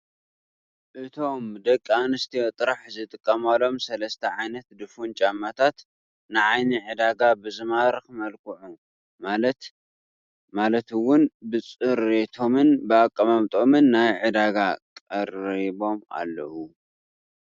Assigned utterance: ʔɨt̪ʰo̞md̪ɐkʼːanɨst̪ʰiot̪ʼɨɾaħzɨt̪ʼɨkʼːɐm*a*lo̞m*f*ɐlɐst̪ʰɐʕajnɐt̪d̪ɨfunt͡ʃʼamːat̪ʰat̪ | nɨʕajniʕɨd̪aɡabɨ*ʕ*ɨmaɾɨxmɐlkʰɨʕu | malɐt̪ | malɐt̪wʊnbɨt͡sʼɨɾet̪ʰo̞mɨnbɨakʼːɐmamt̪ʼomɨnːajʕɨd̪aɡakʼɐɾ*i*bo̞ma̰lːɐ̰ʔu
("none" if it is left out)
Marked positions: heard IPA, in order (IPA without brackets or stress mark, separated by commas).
a, s, z, i